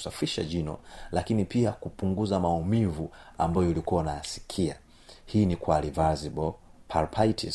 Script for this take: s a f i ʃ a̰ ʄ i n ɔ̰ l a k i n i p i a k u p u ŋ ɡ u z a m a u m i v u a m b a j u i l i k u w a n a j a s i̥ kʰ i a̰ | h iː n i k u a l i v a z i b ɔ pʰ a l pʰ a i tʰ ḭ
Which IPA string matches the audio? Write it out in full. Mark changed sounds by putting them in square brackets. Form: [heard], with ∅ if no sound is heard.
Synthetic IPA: s a f i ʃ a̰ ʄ i n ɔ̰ l a k i n i p i a k u p u ŋ ɡ u z a m a u m i v u a m b a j [ɔ] i l i k u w a n a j a s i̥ kʰ i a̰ | h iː n i k [w] a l i v a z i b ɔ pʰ a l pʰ a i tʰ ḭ